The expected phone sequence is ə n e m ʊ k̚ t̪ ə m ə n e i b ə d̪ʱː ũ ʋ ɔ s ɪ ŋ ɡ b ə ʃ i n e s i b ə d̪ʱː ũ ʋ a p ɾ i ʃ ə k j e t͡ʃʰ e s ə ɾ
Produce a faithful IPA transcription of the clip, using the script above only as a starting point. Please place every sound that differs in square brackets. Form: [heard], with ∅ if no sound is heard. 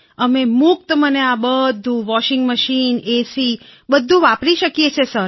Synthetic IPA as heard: ə [m] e m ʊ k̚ t̪ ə m ə n e [a] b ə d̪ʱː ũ ʋ ɔ [ʃ] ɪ ŋ ɡ [m] ə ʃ i n e s i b ə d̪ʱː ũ ʋ a p ɾ i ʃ ə k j e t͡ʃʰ e s ə ɾ